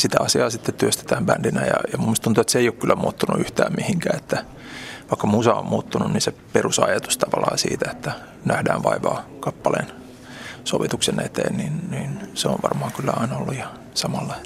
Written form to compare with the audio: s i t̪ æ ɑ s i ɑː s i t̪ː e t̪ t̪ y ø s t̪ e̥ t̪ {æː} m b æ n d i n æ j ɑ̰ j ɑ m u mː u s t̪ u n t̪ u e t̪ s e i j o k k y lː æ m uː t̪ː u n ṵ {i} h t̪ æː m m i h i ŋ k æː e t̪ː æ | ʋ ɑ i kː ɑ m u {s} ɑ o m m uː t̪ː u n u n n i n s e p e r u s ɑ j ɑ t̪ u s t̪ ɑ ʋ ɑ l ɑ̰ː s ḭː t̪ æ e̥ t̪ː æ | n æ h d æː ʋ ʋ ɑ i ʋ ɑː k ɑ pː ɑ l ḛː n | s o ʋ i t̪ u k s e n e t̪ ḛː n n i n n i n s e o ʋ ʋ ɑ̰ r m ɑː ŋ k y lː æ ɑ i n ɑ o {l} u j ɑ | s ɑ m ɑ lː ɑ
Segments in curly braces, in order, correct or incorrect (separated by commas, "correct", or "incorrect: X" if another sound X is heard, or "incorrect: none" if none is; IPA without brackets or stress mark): correct, incorrect: y, correct, incorrect: lː